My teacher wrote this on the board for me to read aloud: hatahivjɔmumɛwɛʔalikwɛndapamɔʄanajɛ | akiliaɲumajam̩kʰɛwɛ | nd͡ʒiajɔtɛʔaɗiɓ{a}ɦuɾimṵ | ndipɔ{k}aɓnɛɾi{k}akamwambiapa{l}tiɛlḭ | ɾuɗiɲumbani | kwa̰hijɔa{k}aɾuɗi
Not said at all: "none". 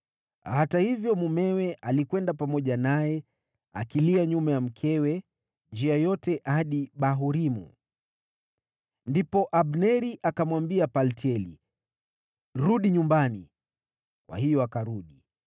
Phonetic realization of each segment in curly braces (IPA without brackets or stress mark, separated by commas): a, ʔ, ʔ, l, k